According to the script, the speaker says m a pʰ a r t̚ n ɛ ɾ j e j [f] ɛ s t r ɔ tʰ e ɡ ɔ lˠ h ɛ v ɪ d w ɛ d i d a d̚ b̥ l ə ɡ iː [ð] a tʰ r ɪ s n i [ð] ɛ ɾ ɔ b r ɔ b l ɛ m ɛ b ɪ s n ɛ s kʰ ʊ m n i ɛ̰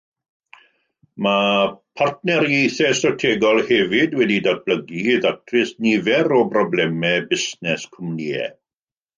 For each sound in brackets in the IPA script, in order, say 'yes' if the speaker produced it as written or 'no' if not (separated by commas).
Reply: no, yes, no